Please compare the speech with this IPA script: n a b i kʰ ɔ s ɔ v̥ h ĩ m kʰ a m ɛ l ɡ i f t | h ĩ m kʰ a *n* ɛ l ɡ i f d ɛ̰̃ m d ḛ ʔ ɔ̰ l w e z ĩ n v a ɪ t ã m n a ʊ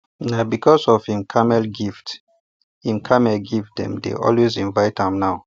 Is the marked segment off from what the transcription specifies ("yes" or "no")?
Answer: yes